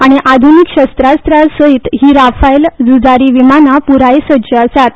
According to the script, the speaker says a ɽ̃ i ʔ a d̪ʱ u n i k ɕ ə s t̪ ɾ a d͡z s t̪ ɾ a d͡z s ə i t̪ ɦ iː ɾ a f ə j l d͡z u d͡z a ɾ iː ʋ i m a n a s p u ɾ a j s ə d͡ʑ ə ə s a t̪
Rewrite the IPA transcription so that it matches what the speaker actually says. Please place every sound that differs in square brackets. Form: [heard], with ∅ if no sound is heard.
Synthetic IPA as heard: a ɽ̃ i ʔ a d̪ʱ u n i k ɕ ə s t̪ ɾ a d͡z s t̪ ɾ a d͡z s ə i t̪ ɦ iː ɾ a f [a] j l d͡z u d͡z a ɾ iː ʋ i m a n a [∅] p u ɾ a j s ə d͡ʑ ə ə s a t̪